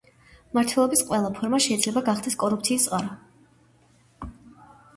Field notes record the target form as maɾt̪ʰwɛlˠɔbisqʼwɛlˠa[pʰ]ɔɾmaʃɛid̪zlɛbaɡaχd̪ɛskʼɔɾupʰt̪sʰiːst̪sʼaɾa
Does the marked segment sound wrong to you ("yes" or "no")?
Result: no